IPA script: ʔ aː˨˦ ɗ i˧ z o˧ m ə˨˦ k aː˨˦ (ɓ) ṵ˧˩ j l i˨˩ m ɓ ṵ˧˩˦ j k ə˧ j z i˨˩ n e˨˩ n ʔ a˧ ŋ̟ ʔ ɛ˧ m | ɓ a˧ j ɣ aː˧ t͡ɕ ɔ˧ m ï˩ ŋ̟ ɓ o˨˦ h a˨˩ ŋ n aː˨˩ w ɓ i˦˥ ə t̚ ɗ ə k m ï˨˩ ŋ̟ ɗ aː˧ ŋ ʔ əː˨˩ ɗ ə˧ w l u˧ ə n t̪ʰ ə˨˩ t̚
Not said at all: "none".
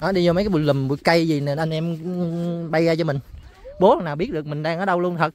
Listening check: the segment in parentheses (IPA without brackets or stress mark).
ɓ